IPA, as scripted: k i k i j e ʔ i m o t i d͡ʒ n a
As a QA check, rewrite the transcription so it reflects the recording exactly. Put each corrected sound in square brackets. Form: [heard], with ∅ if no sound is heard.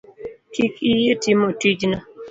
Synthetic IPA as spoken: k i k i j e [t] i m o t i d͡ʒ n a

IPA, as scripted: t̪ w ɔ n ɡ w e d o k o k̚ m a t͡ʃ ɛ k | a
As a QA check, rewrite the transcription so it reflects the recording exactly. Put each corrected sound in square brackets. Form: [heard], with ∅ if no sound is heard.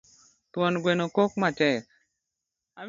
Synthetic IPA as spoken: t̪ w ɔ n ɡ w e [n] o k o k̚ m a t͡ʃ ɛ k | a

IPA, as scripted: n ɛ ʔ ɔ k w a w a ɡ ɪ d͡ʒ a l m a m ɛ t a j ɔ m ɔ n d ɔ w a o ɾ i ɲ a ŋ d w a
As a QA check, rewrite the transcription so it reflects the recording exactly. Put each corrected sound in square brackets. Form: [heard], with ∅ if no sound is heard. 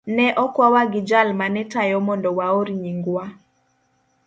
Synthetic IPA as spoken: n ɛ ʔ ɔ k w a w a ɡ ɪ d͡ʒ a l m a [n] ɛ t a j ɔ m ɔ n d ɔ w a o ɾ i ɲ [i] ŋ [ɡ] w a

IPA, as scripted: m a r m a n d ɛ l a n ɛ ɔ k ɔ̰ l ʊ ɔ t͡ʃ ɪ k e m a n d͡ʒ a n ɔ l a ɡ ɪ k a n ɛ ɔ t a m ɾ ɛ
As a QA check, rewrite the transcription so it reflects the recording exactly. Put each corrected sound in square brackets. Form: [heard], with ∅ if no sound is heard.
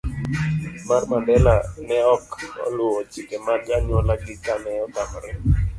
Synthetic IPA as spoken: m a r m a n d ɛ l a n ɛ ɔ k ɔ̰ l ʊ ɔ t͡ʃ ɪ k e m a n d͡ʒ a [ɲ] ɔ l a ɡ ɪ k a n ɛ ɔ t a m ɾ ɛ

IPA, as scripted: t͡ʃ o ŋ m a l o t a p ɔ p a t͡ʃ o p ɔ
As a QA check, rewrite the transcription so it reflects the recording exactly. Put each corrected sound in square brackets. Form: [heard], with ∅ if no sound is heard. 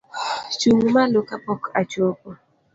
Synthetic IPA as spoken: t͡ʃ [u] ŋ m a l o [k] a p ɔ [k] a t͡ʃ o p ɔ

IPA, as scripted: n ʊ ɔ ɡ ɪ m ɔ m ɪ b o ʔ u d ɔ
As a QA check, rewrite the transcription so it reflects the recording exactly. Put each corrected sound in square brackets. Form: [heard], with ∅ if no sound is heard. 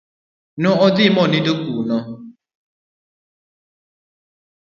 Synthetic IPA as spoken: n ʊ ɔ [d] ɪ m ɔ [n] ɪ [d] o [k] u [n] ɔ

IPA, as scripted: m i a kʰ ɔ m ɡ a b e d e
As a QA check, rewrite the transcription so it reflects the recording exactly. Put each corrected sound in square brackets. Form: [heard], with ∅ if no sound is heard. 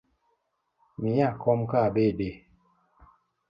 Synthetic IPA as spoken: m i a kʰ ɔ m [k] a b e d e

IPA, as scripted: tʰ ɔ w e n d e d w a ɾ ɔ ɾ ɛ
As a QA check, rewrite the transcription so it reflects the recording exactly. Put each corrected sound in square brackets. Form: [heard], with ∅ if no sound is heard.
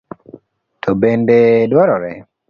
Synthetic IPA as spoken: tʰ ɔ [b] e n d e d w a ɾ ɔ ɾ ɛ

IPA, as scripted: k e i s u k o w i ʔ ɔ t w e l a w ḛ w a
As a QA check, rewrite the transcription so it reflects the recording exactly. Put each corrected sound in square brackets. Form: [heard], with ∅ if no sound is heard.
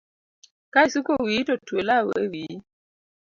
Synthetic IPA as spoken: k [a] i s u k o w i [t] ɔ t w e l a w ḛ w [i]

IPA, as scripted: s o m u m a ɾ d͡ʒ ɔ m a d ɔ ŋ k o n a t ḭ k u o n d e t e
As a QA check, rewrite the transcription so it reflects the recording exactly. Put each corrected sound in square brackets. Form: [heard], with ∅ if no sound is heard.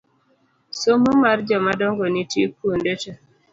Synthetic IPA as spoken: s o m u m a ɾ d͡ʒ ɔ m a d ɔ ŋ [ɡ] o n [i] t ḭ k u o n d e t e

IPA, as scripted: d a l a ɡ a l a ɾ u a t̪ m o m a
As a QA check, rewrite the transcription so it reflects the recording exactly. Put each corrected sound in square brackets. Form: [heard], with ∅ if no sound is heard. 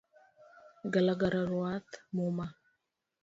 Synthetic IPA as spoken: [ɡ] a l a ɡ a [ɾ] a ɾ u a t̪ m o m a

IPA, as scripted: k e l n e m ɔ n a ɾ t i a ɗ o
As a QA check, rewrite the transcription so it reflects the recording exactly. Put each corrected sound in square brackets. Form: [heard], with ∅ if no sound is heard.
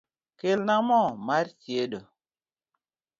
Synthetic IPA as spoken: k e l n [a] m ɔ [m] a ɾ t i [e] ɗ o

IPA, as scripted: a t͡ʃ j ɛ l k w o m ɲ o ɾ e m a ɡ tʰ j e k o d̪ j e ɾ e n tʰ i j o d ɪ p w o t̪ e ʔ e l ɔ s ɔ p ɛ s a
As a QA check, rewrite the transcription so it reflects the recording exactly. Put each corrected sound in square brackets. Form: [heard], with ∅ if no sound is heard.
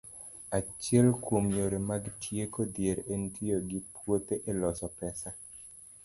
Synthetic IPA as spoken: a t͡ʃ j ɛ l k w o m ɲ o ɾ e m a ɡ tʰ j e k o d̪ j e ɾ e n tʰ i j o [ɡ] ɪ p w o t̪ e ʔ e l ɔ s ɔ p ɛ s a

